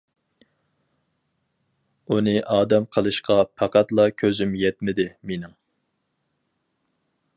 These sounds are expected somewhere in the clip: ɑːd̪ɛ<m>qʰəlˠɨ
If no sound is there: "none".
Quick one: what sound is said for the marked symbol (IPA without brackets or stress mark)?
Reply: m